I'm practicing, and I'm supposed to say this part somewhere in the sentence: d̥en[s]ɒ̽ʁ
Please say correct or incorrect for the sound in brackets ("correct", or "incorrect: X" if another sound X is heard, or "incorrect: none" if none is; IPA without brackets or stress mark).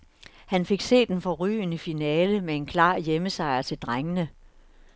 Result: incorrect: f